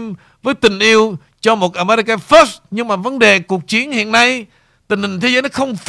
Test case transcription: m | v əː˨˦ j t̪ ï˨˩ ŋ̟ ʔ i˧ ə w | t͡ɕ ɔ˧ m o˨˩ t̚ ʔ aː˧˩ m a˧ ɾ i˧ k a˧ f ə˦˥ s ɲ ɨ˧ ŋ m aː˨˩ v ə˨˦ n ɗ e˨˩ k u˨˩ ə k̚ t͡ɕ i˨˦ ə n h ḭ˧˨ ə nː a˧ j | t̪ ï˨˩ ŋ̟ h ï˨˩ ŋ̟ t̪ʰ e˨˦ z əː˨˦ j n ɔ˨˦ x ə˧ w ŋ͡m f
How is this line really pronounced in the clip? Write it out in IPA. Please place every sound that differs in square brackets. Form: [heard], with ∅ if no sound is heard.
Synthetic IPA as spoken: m | v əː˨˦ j t̪ ï˨˩ ŋ̟ ʔ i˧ ə w | t͡ɕ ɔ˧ m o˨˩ t̚ ʔ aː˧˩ m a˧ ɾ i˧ k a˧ f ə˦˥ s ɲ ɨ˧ ŋ m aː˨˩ v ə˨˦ n ɗ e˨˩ k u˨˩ ə k̚ t͡ɕ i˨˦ ə n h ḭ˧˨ ə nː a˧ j | t̪ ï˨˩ ŋ̟ h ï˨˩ ŋ̟ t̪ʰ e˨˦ z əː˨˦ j n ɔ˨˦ x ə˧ w ŋ͡m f